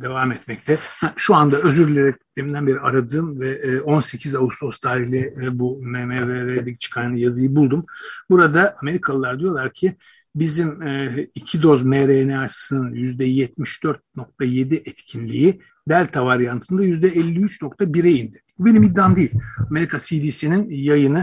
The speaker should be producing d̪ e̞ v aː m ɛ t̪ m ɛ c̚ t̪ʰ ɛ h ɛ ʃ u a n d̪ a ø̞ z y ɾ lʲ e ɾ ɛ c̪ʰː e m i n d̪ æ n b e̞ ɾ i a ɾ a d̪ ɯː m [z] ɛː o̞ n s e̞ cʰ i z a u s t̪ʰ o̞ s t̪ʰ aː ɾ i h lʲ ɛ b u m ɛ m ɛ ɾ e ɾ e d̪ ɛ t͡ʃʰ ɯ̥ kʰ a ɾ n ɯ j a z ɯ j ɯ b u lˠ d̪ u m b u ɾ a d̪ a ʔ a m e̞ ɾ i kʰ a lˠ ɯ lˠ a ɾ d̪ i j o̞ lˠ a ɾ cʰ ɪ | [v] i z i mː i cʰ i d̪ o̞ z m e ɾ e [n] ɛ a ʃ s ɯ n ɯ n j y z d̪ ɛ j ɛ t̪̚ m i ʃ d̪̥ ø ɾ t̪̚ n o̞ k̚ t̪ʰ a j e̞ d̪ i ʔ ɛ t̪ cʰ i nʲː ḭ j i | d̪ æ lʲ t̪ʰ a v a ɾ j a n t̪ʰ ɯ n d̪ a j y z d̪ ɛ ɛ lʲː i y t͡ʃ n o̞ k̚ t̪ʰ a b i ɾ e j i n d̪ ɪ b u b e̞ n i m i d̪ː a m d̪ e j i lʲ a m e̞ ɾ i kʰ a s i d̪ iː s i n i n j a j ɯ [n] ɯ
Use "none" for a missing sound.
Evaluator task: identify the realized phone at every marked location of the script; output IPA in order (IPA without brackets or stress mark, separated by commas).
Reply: v, b, n, n